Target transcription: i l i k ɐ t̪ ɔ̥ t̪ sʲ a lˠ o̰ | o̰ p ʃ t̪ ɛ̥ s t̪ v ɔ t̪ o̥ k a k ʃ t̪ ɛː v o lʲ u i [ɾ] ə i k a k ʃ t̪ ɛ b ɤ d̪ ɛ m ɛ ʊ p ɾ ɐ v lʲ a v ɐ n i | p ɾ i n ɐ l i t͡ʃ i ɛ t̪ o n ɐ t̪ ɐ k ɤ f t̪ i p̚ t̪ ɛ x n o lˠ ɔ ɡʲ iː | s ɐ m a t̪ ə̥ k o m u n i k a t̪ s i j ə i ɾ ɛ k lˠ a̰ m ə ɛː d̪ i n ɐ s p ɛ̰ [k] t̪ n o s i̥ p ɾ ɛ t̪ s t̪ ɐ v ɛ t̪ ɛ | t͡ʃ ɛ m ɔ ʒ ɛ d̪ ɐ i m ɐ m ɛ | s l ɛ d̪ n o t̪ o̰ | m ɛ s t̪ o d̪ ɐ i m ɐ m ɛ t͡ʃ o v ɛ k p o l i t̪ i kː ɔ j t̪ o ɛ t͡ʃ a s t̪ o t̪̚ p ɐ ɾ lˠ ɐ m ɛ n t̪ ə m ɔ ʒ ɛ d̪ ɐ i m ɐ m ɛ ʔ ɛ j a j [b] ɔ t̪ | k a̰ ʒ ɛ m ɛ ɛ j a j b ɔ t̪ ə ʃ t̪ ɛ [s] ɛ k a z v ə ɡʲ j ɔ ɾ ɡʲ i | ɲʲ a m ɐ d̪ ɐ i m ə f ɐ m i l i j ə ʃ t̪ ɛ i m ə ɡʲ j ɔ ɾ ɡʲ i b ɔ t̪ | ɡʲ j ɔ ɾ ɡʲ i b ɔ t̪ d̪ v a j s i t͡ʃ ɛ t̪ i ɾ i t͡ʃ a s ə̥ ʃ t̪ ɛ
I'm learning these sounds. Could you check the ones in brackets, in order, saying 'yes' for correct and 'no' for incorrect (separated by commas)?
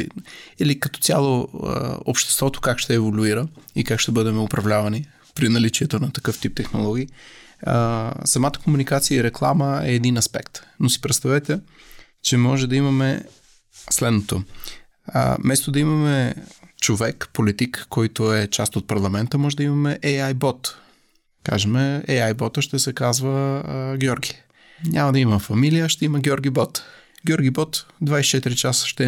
yes, yes, yes, yes